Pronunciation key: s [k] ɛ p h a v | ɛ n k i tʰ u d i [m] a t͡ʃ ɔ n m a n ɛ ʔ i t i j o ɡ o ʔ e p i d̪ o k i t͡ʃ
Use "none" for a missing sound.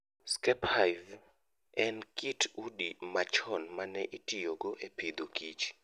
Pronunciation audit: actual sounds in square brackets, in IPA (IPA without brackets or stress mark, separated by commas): k, m